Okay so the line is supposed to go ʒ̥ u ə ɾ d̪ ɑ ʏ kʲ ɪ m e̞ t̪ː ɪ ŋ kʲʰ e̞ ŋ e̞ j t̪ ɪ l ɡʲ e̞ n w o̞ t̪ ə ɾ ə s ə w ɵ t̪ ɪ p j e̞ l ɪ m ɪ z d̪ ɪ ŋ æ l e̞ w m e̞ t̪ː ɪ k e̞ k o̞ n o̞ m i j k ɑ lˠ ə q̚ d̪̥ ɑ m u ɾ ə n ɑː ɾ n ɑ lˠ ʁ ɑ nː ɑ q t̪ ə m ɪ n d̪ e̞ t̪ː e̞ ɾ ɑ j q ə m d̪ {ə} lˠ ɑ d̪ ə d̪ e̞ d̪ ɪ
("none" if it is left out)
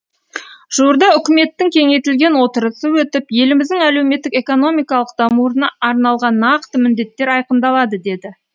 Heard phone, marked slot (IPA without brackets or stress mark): ɑ